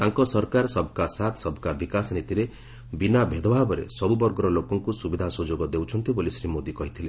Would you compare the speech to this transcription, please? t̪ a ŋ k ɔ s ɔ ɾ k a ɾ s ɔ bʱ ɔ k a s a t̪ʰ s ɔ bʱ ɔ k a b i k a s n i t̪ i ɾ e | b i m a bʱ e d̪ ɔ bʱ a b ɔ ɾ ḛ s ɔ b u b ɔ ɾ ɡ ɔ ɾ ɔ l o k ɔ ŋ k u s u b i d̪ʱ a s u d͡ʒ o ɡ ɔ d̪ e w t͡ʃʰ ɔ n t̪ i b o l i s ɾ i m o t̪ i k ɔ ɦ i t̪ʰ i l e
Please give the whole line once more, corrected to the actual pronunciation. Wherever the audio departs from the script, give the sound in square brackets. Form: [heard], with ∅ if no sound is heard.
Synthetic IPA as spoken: t̪ a ŋ k ɔ s ɔ ɾ k a ɾ s ɔ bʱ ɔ k a s a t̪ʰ s ɔ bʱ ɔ k a b i k a s n i t̪ i ɾ e | b i [n] a bʱ e d̪ ɔ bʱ a b ɔ ɾ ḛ s ɔ b u b ɔ ɾ ɡ ɔ ɾ ɔ l o k ɔ ŋ k u s u b i d̪ʱ a s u d͡ʒ o ɡ ɔ d̪ e w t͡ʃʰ ɔ n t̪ i b o l i s ɾ i m o [d̪] i k ɔ ɦ i t̪ʰ i l e